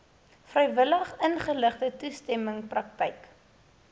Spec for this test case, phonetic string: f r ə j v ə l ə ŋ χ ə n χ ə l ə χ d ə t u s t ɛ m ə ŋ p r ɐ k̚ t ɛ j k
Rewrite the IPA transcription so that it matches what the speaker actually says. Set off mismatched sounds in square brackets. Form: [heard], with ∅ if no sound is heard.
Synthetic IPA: f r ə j v ə l ə [∅] χ ə n χ ə l ə χ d ə t u s t ɛ m ə ŋ p r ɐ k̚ t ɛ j k